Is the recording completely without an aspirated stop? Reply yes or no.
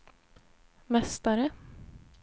yes